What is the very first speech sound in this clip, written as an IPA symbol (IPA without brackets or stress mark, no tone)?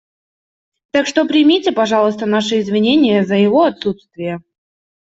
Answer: t̪